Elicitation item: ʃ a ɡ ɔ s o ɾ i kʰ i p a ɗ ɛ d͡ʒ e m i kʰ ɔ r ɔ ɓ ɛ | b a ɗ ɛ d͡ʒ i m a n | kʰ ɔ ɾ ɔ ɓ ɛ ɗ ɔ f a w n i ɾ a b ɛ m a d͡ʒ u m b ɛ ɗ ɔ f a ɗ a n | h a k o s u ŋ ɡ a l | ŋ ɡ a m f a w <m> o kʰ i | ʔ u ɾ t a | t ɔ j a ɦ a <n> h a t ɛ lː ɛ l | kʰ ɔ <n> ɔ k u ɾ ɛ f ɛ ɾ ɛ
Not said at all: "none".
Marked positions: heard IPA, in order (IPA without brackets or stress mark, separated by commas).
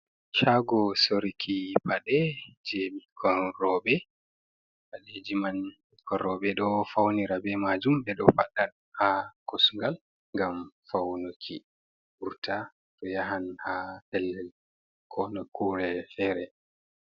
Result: n, n, n